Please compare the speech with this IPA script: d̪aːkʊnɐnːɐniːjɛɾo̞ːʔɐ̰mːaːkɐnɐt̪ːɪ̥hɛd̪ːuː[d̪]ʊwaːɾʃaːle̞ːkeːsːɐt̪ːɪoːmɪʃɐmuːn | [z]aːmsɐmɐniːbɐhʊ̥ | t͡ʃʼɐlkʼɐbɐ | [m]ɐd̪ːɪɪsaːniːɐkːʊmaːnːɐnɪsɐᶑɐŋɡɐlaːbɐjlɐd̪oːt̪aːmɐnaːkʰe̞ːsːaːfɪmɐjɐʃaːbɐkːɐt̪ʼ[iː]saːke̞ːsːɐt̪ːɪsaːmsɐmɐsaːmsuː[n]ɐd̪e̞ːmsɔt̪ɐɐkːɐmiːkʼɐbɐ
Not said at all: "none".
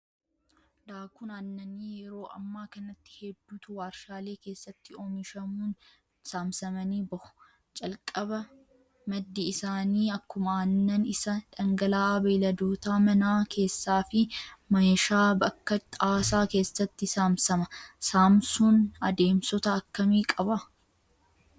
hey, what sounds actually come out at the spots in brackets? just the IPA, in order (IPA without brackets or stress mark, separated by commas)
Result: t̪, s, m, aː, n